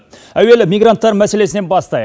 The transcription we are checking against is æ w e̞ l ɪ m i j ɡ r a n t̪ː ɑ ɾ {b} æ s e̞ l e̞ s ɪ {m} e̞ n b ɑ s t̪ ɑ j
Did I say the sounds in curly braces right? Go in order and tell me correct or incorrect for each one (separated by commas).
incorrect, incorrect